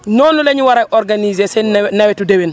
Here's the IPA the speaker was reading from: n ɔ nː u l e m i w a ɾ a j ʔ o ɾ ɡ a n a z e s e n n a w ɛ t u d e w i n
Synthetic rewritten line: n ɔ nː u l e ɲ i w a ɾ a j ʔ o ɾ ɡ a n i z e s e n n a w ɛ t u d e w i n

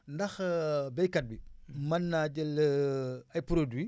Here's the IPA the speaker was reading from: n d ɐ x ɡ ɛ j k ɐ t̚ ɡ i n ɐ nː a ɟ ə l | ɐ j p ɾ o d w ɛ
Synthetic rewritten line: n d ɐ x b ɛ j k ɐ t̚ b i m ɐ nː a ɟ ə l | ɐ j p ɾ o d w i

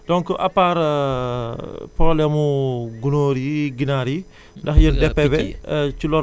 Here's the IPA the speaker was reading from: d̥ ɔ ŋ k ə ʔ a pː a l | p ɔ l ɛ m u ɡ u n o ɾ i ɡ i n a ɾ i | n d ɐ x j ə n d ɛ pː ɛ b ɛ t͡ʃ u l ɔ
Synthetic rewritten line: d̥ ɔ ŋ k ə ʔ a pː a ɾ | p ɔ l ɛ m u ɡ u n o ɾ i ɡ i n a ɾ i | n d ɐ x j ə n d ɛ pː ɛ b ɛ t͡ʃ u l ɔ

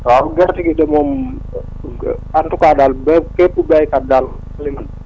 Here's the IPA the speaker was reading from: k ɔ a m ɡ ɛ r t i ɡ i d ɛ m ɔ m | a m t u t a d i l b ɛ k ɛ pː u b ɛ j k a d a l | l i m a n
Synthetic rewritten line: t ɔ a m ɡ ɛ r t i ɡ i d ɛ m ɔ m | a n t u k a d a l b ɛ k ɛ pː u b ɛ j k a d a l | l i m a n

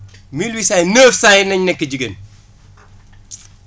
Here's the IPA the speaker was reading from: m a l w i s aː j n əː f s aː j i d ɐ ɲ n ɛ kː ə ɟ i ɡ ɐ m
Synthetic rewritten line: m i l w i s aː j n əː f s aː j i n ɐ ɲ n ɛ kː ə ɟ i ɡ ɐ n

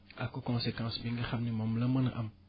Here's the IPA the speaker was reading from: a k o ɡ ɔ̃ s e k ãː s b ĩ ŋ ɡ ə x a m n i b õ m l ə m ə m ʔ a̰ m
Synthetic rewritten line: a k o k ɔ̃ s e k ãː s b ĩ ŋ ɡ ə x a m n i m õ m l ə m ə n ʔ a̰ m

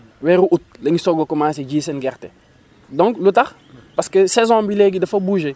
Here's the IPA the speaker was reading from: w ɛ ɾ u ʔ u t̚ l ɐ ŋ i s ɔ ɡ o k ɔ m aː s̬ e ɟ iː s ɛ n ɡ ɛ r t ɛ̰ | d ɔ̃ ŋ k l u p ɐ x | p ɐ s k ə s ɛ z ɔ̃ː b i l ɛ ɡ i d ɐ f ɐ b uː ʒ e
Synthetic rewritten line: w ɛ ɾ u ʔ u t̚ l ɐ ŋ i s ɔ ɡ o k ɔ m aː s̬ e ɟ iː s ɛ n ɡ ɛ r t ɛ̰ | d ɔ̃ ŋ k l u t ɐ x | p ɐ s k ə s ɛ z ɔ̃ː b i l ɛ ɡ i d ɐ f ɐ b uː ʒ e

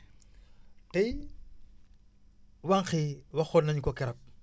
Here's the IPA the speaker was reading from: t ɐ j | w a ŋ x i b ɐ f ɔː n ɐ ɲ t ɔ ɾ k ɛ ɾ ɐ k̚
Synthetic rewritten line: t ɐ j | w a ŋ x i w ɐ x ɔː n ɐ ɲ k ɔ k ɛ ɾ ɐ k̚

